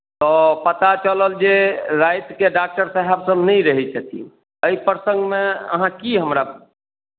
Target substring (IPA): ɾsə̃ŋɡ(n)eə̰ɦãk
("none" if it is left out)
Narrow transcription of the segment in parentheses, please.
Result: m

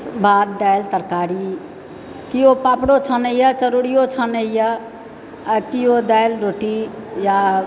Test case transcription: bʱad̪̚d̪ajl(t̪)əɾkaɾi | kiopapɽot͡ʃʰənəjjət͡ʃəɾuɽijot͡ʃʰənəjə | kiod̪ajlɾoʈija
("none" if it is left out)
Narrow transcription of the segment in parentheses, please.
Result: t̪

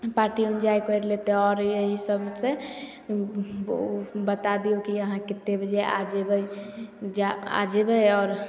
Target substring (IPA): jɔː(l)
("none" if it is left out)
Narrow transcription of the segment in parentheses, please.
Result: ɾ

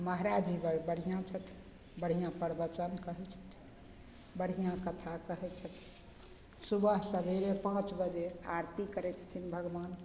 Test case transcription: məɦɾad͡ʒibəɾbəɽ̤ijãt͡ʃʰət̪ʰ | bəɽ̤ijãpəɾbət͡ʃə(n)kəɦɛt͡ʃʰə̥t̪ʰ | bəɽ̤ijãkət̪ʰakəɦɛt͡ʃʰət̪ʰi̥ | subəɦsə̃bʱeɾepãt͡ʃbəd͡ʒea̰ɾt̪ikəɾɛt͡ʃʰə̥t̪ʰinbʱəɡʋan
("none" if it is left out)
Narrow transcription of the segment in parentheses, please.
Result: n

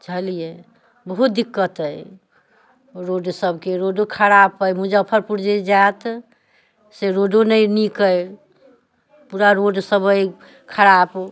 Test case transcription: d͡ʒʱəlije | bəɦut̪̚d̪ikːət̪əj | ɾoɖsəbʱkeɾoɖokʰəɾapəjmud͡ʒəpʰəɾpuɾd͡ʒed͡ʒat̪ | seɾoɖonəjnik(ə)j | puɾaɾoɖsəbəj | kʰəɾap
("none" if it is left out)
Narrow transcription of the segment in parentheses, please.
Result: ə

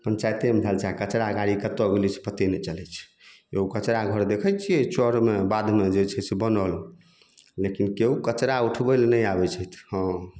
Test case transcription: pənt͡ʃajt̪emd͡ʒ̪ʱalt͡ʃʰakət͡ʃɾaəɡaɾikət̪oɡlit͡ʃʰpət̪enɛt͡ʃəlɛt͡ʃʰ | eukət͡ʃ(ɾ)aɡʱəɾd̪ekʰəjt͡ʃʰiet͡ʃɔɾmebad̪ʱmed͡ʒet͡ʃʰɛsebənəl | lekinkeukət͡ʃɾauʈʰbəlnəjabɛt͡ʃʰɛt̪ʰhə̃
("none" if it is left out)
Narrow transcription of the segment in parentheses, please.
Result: ɾ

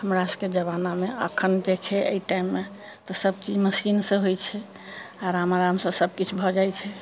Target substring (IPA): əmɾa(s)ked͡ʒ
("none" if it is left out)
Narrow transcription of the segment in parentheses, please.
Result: s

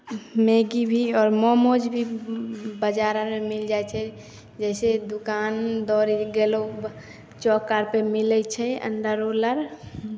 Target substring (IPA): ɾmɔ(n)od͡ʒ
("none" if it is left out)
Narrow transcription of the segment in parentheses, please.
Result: m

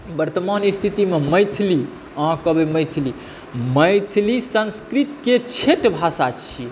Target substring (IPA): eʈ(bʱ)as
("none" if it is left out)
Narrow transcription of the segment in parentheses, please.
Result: bʱ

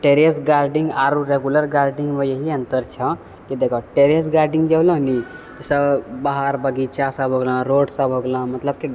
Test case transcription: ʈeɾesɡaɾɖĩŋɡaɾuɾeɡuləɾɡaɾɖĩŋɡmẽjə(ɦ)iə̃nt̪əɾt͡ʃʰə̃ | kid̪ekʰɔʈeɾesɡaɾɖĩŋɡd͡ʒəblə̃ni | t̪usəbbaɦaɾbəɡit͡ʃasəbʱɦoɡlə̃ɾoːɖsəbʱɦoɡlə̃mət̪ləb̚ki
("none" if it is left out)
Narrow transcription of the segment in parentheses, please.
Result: ɦ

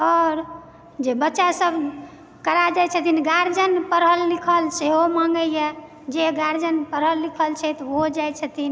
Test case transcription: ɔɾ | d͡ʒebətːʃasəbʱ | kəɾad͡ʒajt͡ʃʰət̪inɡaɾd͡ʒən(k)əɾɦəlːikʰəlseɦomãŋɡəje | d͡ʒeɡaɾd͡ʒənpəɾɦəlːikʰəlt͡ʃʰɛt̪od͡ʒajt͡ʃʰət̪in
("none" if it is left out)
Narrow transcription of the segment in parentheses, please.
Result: p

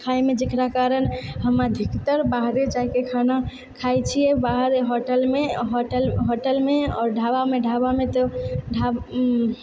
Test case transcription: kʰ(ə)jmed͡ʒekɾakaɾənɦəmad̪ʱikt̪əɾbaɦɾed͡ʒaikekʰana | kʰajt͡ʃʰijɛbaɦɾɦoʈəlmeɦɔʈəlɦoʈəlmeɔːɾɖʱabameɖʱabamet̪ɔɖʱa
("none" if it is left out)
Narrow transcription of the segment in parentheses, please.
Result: a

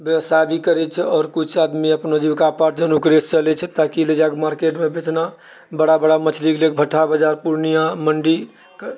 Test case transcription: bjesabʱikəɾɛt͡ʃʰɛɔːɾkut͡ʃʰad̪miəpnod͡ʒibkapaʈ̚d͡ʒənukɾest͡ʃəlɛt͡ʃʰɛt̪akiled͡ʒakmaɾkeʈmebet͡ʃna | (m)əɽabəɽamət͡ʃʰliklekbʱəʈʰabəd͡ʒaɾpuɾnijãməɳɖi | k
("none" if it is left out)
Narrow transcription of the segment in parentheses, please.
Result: b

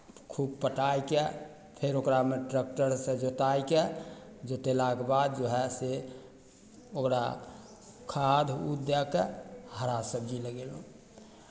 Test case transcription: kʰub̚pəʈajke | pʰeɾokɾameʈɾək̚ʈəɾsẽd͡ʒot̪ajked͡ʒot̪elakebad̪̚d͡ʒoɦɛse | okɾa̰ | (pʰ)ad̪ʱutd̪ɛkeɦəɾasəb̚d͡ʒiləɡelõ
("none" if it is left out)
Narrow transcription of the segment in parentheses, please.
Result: kʰ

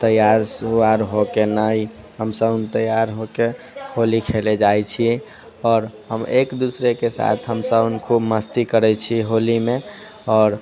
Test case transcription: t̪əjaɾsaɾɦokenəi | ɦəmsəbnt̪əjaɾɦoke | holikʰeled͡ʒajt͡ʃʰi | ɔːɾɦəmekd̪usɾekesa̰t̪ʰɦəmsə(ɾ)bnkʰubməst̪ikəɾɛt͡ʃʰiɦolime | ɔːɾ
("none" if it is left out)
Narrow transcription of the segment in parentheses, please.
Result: none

